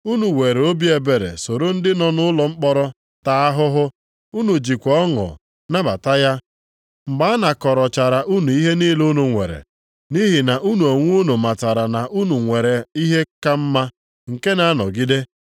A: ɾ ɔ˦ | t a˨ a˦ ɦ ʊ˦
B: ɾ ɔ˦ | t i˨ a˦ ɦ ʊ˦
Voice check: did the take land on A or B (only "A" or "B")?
A